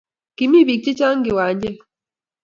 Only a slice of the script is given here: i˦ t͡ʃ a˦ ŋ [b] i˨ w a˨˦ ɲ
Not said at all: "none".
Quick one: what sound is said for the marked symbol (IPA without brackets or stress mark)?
ɡ